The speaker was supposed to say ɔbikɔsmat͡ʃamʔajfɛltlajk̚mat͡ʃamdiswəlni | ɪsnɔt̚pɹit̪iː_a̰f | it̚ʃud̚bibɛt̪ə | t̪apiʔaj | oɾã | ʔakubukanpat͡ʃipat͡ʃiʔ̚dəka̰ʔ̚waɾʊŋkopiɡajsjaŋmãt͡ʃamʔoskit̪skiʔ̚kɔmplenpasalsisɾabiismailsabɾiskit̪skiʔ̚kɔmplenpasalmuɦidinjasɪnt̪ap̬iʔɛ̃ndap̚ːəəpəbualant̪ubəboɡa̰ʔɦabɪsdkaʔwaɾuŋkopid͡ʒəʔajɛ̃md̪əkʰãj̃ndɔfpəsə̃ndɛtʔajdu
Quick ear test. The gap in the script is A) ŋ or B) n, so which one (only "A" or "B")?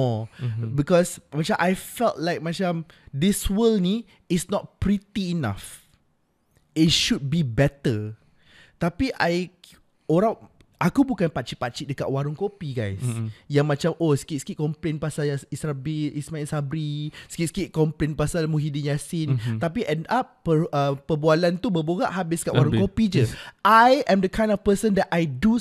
B